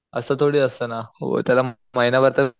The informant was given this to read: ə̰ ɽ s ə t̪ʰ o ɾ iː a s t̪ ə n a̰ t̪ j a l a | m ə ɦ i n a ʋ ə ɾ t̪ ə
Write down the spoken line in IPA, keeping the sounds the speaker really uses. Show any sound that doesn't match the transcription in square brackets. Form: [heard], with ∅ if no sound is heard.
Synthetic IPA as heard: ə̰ [∅] s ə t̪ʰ o [ɽ] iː [ə] s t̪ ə n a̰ t̪ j a l a | m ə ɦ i n a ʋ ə ɾ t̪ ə